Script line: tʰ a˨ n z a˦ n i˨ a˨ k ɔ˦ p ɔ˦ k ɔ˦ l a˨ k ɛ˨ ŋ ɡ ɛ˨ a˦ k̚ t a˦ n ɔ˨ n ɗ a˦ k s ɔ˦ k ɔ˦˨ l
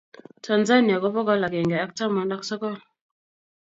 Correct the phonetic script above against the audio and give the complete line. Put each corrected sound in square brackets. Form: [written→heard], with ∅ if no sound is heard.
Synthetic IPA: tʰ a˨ n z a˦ n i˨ a˨ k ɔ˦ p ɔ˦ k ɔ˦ l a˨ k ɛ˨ ŋ ɡ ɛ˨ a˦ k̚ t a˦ [n→m] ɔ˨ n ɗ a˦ k s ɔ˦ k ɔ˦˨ l